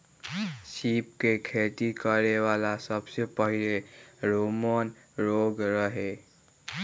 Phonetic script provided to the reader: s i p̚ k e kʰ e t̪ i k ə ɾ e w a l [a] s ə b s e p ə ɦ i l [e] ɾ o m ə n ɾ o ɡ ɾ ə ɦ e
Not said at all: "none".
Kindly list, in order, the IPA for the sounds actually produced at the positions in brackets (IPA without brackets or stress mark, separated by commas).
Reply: a, e